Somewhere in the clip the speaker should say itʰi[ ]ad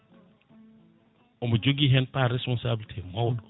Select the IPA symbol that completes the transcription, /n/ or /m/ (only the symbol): m